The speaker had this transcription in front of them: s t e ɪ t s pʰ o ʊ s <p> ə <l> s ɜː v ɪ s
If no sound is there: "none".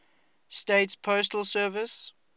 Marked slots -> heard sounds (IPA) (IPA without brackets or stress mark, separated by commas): t, l